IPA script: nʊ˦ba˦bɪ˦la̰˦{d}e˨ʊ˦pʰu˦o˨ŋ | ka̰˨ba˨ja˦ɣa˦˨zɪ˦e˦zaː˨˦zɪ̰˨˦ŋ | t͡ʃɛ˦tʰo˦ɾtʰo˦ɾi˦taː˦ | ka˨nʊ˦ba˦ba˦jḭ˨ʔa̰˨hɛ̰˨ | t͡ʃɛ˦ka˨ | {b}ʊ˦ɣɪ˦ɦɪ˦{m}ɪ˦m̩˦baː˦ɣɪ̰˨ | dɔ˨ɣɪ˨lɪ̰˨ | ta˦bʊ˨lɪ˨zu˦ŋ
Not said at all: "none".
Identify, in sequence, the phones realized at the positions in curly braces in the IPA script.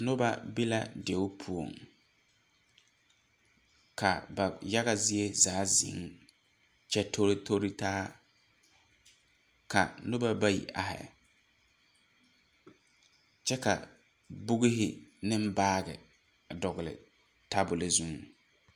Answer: d, b, n

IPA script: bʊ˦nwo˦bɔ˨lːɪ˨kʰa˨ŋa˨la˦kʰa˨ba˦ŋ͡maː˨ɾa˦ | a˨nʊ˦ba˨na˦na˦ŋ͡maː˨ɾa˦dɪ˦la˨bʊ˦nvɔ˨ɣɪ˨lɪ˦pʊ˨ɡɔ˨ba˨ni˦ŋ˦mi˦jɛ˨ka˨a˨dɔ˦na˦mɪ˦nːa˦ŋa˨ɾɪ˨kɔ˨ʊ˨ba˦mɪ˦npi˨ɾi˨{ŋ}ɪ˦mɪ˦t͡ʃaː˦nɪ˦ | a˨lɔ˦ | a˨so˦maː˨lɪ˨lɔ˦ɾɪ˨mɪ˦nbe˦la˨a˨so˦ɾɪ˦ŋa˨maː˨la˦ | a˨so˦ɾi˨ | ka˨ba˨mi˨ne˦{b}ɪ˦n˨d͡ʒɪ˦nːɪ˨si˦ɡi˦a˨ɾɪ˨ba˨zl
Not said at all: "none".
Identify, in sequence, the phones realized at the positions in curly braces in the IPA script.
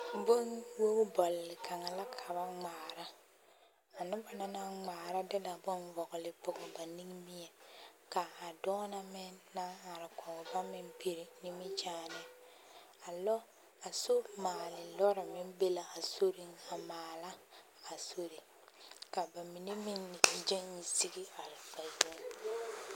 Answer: n, m

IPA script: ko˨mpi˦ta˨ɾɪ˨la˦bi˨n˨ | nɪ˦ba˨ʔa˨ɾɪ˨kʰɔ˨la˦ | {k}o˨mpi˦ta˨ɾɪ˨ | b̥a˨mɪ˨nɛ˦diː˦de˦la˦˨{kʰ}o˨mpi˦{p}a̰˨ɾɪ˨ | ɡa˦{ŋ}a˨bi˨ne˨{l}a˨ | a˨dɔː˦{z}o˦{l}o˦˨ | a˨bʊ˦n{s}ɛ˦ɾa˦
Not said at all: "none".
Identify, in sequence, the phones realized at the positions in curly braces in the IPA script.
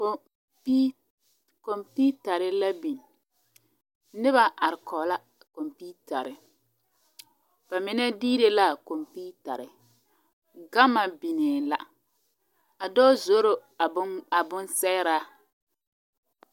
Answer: k, k, t, m, l, z, ɾ, s

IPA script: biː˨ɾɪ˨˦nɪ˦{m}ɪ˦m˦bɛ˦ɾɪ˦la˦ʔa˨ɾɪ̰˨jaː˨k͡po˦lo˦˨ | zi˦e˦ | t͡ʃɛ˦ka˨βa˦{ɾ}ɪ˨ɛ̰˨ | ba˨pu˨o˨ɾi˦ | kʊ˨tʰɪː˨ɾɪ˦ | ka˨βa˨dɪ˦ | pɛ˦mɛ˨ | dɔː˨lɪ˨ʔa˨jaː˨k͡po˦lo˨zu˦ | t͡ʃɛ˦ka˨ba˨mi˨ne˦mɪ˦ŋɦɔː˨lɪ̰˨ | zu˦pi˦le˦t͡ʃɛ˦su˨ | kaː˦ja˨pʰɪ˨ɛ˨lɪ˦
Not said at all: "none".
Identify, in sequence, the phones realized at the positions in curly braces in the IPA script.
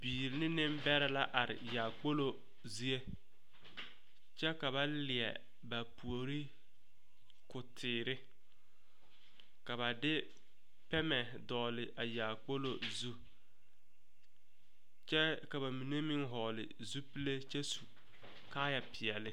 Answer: n, l

